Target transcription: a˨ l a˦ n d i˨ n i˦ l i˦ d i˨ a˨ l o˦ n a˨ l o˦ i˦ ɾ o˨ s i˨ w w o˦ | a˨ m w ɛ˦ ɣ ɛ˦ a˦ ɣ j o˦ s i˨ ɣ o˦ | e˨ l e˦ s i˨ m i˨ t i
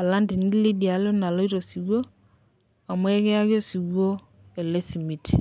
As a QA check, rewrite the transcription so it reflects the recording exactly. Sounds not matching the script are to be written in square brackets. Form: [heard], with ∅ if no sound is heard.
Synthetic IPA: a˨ l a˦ n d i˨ n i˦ l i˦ d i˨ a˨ l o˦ n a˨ l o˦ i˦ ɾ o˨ s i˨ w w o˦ | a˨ m w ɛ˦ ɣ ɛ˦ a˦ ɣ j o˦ s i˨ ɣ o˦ | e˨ l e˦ s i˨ m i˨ t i

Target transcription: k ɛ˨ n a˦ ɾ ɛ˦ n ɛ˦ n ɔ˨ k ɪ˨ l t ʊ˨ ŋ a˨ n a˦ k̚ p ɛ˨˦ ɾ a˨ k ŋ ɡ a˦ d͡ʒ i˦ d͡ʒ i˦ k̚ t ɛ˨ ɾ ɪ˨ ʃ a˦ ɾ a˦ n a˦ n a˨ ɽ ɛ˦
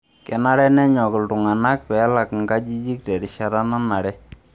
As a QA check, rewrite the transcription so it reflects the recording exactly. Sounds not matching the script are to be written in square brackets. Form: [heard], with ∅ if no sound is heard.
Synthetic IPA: k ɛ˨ n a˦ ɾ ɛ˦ n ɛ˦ [ɲ] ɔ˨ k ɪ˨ l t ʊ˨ ŋ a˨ n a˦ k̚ p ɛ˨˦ [l] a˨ k ŋ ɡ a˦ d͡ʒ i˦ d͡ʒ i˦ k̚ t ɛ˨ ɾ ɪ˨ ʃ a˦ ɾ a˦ n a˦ n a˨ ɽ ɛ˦

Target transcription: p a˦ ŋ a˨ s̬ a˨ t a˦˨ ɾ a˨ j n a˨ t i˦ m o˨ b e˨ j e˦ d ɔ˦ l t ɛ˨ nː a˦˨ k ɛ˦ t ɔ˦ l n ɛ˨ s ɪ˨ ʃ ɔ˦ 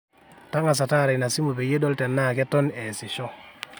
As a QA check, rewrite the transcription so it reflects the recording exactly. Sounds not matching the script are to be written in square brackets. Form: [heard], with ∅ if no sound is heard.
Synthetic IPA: [t] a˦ ŋ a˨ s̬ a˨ t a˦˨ ɾ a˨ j n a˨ [s] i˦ m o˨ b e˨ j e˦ d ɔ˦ l t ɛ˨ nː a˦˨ k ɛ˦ t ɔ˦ [∅] n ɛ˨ s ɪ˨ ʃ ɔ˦

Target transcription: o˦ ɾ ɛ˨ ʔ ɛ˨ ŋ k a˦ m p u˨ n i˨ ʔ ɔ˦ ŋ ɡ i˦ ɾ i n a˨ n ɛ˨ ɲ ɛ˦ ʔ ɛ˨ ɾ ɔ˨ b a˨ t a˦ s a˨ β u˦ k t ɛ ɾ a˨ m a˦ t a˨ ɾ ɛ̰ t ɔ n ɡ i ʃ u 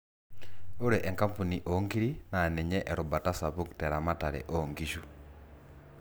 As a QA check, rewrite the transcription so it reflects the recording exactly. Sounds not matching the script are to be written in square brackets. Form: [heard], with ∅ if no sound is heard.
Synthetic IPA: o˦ ɾ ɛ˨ ʔ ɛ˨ ŋ k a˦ m p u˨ n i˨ ʔ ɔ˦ ŋ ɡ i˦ ɾ i n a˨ n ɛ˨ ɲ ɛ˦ ʔ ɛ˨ ɾ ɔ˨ b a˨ t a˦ s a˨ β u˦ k t ɛ ɾ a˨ m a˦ t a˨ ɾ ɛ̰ [ʔ] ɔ [ŋ] ɡ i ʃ u

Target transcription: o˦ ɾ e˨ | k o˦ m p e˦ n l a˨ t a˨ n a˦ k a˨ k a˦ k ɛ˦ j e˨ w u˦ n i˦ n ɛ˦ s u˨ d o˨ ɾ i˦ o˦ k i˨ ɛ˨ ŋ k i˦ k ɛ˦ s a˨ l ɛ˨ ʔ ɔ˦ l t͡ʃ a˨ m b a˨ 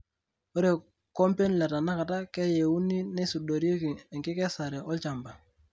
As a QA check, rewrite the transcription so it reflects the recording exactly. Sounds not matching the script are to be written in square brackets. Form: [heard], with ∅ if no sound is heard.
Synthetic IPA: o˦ ɾ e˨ | k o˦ m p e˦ n l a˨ t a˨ n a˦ k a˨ [t] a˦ k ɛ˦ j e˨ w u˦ n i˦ n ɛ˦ s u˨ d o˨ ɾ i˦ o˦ k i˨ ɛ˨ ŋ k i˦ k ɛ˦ s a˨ [ɾ] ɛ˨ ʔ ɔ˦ l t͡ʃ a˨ m b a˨

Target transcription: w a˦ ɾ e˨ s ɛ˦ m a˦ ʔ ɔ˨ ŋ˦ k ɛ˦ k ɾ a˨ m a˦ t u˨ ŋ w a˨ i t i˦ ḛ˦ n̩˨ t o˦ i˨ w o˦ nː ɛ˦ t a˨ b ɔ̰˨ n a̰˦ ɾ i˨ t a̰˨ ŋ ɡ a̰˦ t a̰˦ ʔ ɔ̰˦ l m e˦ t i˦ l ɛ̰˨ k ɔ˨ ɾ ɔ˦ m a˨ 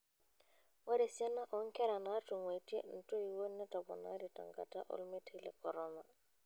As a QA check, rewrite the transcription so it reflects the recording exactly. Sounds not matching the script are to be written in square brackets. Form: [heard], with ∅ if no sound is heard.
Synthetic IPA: w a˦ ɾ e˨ s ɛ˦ [n] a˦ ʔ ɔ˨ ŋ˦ k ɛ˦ [∅] ɾ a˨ [n] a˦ t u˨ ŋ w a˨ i t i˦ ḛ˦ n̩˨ t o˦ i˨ w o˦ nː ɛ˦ t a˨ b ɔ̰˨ n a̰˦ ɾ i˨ t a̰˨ ŋ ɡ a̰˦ t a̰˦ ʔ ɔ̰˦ l m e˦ t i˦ l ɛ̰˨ k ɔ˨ ɾ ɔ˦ m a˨

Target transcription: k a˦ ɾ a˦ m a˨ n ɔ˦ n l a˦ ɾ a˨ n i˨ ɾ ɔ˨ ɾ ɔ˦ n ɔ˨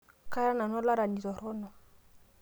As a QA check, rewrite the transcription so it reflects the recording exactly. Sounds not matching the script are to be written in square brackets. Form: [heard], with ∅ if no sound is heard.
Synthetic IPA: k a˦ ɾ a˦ [n] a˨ n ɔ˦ [∅] l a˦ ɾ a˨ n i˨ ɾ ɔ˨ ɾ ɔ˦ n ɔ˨

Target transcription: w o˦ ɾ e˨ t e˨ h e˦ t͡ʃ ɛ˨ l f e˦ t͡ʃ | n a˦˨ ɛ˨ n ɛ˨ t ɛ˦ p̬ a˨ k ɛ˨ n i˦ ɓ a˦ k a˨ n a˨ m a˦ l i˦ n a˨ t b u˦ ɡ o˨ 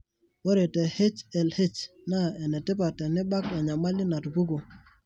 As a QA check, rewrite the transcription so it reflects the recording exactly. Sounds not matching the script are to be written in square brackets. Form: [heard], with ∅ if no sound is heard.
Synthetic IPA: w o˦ ɾ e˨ t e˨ h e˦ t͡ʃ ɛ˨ l [h] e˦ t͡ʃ | n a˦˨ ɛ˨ n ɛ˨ t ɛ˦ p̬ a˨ [t] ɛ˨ n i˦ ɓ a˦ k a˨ [ɲ] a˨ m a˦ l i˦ n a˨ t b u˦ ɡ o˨

